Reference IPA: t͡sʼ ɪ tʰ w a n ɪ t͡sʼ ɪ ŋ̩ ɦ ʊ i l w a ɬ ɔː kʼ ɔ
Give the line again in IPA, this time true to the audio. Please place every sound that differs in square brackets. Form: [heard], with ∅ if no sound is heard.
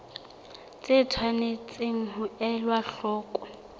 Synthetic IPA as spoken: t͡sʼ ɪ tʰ w a n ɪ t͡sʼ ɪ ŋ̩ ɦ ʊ [ɛ] l w a ɬ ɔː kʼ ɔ